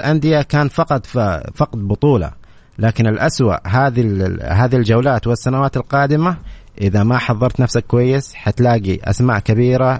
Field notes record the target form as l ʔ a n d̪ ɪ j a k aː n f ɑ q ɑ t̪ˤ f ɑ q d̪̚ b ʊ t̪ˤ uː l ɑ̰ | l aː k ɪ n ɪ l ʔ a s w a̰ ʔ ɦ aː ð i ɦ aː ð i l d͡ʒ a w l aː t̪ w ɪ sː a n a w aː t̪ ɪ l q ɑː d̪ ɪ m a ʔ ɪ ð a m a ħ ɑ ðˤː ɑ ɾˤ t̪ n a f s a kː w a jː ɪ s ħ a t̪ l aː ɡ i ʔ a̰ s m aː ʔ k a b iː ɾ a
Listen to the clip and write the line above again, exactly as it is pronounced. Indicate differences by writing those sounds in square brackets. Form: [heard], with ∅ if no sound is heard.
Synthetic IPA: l ʔ a n d̪ ɪ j a k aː n f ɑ q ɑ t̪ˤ f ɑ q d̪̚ b ʊ t̪ˤ uː l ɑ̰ | l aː k ɪ n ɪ l ʔ a s w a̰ ʔ ɦ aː ð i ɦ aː ð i l d͡ʒ a w l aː t̪ w ɪ sː a n a w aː t̪ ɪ l q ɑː d̪ ɪ m a ʔ ɪ ð a m a ħ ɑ ðˤː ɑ ɾˤ t̪ n a f s a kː w a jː ɪ s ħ a t̪ l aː ɡ i ʔ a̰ s m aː ʔ k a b iː ɾ a